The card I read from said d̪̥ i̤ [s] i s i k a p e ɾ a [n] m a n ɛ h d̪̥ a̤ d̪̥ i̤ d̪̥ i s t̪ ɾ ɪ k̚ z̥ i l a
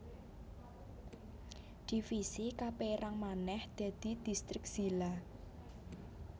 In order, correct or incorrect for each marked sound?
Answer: incorrect: f, incorrect: ŋ

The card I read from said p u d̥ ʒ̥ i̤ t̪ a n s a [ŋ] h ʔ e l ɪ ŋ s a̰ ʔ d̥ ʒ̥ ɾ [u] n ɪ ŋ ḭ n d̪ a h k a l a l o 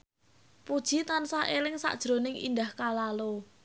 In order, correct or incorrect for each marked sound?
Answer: incorrect: none, incorrect: o

